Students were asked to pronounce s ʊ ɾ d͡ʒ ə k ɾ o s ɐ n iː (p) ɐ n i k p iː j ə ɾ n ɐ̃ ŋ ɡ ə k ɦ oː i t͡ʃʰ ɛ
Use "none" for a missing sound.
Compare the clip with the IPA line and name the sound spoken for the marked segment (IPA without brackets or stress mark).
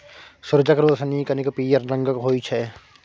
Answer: k